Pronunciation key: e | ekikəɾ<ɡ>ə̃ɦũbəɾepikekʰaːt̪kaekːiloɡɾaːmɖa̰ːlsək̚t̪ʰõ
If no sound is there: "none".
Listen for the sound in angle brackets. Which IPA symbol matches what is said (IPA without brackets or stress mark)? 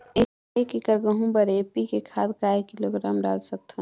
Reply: ɡ